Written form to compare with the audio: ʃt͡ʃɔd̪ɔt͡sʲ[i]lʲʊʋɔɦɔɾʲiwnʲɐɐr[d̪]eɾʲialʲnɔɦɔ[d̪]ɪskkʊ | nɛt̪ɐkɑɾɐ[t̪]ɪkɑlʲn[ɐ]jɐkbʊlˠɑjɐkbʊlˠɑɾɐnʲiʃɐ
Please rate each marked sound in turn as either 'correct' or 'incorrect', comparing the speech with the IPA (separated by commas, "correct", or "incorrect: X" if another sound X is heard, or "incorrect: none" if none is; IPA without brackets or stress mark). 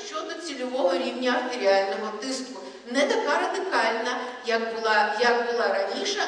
correct, incorrect: t̪, incorrect: t̪, incorrect: d̪, correct